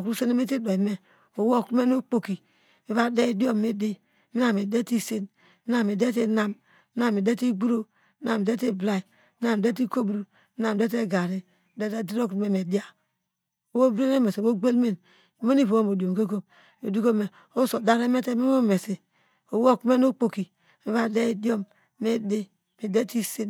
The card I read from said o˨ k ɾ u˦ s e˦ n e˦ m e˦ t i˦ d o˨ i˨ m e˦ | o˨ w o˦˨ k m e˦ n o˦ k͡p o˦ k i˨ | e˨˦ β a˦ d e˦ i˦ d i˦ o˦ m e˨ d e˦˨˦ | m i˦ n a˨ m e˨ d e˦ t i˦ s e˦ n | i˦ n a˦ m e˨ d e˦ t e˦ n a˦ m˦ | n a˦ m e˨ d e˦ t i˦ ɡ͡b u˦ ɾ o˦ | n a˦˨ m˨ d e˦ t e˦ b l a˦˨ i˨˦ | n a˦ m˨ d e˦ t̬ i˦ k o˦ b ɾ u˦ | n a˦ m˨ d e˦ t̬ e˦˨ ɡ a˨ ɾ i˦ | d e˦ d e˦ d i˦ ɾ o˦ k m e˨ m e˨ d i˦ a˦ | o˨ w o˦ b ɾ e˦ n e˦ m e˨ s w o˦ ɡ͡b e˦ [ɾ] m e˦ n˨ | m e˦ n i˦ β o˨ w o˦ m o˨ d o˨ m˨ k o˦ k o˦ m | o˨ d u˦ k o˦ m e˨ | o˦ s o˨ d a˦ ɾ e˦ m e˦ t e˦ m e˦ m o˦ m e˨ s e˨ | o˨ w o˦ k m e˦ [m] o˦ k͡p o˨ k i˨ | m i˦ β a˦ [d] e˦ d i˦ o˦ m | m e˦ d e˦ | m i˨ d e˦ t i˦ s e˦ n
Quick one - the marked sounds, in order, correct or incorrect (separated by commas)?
incorrect, incorrect, correct